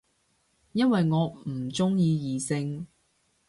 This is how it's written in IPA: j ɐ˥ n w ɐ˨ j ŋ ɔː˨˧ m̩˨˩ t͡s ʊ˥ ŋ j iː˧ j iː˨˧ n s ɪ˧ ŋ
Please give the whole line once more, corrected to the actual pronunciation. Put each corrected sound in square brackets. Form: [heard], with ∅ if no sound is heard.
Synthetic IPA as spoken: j ɐ˥ n w ɐ˨ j ŋ ɔː˨˧ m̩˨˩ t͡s ʊ˥ ŋ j iː˧ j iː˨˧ [∅] s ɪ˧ ŋ